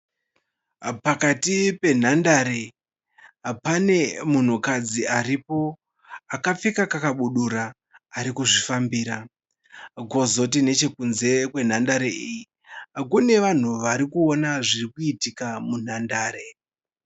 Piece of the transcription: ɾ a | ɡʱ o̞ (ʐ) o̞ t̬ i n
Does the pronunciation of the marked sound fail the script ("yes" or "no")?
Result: yes